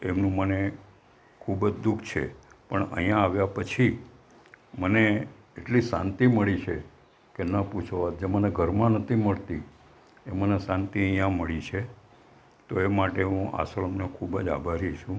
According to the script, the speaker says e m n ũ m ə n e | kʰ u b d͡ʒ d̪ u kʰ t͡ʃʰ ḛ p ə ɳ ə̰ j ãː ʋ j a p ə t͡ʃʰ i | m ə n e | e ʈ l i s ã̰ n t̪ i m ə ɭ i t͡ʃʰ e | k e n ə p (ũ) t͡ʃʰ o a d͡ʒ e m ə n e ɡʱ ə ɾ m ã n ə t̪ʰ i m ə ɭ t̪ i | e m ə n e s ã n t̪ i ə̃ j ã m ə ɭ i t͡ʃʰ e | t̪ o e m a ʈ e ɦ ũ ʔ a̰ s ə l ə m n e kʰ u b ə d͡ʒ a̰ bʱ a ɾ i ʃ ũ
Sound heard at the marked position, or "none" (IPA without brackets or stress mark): u